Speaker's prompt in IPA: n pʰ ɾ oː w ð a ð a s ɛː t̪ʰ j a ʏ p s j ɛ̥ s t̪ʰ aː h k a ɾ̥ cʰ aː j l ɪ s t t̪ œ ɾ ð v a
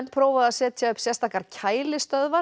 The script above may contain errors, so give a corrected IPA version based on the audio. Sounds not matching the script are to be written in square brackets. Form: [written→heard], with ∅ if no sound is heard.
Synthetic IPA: n pʰ ɾ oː w [ð→v] a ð a s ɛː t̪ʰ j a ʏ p s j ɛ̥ s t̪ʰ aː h k a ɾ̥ cʰ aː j l ɪ s t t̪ œ [ɾ→∅] ð v a